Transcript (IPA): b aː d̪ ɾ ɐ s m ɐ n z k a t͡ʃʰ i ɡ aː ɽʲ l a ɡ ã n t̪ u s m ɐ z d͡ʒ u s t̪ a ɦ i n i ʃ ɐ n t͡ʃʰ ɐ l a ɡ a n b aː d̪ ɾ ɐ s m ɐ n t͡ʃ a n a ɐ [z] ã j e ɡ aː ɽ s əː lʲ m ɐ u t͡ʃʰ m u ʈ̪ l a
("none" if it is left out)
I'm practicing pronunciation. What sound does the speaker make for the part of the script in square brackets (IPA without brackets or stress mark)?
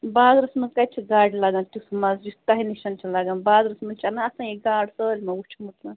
s